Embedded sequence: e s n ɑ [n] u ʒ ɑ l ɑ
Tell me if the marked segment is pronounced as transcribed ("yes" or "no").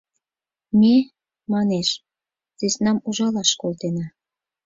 no